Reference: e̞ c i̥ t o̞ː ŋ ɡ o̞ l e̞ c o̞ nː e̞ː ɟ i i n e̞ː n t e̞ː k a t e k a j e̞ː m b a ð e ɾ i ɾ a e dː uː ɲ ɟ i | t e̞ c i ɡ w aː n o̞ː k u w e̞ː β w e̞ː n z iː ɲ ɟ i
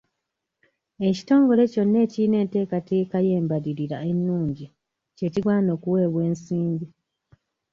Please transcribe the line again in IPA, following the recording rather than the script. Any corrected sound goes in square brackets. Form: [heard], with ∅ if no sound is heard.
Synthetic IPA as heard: e̞ c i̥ t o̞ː ŋ ɡ o̞ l e̞ c o̞ nː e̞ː [c] i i n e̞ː n t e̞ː k a t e k a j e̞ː m b a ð [i] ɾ i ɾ a e [nː] uː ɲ ɟ i | [c] e̞ c i ɡ w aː n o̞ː k u w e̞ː β w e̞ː n [s] iː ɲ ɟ i